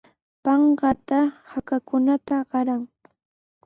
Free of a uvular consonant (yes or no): no